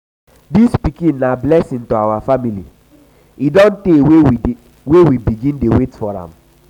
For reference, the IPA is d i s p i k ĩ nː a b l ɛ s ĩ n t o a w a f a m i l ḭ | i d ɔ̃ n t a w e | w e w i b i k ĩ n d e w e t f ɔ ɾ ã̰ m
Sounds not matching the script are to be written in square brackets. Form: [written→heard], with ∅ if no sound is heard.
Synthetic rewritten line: d i s p i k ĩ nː a b l ɛ s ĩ n t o a w a f a m i l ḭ | i d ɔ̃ n t [a→e] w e | w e w i b i [k→ɡ] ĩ n d e w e t f ɔ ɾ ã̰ m